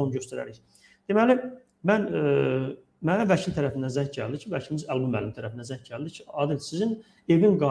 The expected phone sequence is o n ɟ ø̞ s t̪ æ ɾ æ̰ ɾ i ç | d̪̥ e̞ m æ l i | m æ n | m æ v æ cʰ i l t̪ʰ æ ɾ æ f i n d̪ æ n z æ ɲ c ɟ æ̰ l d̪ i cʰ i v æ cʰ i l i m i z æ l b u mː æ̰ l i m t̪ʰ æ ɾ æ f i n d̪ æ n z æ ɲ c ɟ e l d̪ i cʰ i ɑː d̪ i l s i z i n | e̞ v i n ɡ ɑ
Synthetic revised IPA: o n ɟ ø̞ s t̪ æ ɾ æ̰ ɾ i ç | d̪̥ e̞ m æ l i | m æ n | m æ v æ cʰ i l t̪ʰ æ ɾ æ f i n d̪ æ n z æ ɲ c ɟ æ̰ l d̪ i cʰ i v æ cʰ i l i m i z æ l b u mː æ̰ l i m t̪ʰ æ ɾ æ f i n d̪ æ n z æ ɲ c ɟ æ l d̪ i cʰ i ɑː d̪ i l s i z i n | e̞ v i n ɡ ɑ